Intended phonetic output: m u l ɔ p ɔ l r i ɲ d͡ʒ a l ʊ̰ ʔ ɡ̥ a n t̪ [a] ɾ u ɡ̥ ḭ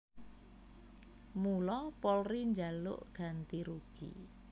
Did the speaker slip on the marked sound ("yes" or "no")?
yes